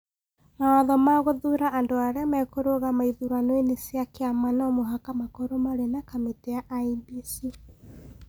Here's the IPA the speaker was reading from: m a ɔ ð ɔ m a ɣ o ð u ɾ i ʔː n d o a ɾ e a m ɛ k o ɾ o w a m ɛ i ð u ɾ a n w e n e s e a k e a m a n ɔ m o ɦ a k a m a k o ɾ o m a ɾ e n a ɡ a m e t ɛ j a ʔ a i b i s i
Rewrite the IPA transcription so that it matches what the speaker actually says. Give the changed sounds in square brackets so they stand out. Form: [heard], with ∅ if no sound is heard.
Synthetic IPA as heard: m a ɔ ð ɔ m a ɣ o ð u ɾ [a] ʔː n d o a ɾ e a m ɛ k o ɾ o [ɣ] a m [a] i ð u ɾ a n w e n e s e a k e a m a n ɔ m o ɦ a k a m a k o ɾ o m a ɾ e n a [k] a m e t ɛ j a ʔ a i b i s i

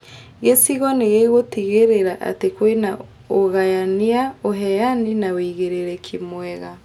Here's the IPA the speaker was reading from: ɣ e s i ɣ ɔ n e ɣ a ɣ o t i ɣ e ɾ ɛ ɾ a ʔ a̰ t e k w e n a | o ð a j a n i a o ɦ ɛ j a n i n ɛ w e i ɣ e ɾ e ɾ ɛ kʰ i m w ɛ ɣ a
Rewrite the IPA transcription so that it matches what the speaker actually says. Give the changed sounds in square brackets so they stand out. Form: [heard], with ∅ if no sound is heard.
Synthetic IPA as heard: ɣ e s i ɣ ɔ n e ɣ [e] ɣ o t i ɣ e ɾ [e] ɾ a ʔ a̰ t e k w e n a | o [ɣ] a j a n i a o ɦ ɛ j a n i n [a] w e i ɣ e ɾ e ɾ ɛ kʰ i m w ɛ ɣ a

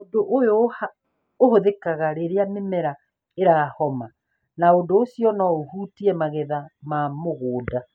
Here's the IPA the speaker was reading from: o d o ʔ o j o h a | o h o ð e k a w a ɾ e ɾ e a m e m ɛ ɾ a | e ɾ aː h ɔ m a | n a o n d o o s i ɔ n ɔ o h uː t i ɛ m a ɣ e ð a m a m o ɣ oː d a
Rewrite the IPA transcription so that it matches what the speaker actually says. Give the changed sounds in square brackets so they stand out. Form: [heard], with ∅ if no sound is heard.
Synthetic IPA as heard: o d o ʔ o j o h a | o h o ð e k a [ɣ] a ɾ e ɾ e a m e m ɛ ɾ a | e ɾ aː h ɔ m a | n a o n d o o s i ɔ n ɔ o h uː t i ɛ m a ɣ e ð a m a m o ɣ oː d a

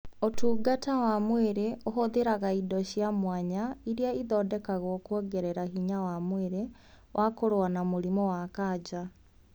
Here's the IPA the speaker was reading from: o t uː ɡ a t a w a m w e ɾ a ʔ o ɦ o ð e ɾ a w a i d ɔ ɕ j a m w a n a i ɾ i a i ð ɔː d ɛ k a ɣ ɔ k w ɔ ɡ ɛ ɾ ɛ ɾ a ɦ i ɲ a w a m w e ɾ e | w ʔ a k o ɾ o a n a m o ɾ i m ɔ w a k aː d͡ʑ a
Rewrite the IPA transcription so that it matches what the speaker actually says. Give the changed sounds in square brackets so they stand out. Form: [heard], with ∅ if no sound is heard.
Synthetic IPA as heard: o t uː ɡ a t a w a m w e ɾ [e] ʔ o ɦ o ð e ɾ a [ɣ] a i d ɔ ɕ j a m w a [ɲ] a i ɾ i a i ð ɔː d ɛ k a ɣ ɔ k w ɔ ɡ ɛ ɾ ɛ ɾ a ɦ i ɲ a w a m w e ɾ e | w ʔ a k o ɾ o a n a m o ɾ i m ɔ w a k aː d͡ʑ a

